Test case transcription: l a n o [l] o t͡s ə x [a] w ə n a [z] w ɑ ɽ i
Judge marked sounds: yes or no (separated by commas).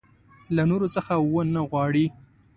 no, yes, no